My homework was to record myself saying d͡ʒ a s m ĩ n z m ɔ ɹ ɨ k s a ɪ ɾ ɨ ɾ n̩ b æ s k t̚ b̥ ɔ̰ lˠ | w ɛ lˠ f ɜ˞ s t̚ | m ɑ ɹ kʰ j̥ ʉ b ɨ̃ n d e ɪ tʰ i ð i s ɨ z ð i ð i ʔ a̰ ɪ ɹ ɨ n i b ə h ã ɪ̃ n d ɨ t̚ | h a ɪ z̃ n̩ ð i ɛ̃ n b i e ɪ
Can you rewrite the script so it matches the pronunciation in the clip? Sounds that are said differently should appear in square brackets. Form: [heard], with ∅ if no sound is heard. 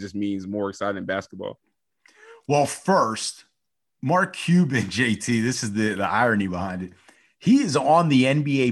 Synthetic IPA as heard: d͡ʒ [ʌ] s m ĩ n z m ɔ ɹ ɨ k s a ɪ ɾ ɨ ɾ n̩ b æ s k t̚ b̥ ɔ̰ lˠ | w ɛ lˠ f ɜ˞ s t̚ | m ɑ ɹ kʰ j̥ ʉ b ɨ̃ n [d͡ʒ] e ɪ tʰ i ð [ɪ] s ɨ z ð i ð i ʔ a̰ ɪ ɹ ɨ n i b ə h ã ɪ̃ n d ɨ t̚ | h [i] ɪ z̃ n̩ ð i ɛ̃ n b i e ɪ